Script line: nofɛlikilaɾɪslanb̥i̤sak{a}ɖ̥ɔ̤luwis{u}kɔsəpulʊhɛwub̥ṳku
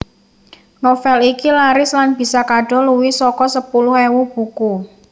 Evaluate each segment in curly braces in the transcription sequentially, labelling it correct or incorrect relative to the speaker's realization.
correct, incorrect: ɔ

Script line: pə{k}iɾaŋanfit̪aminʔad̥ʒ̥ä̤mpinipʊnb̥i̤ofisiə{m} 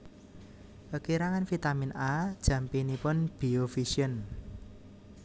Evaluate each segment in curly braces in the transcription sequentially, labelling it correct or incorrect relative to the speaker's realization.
correct, incorrect: n

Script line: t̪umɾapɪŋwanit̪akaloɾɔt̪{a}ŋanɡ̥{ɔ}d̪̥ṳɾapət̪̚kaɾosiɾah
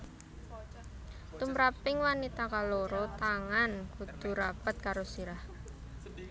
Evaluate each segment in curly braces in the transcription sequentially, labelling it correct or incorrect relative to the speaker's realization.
correct, incorrect: u

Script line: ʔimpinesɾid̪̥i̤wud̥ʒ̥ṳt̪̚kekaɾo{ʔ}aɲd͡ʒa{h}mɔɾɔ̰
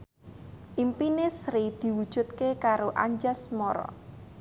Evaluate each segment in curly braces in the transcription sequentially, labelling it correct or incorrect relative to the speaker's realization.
correct, incorrect: s

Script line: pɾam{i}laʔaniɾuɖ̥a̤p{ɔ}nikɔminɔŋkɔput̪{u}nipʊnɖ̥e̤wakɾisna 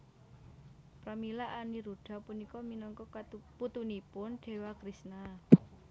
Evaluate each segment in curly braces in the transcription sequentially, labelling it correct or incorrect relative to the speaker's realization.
correct, incorrect: u, correct

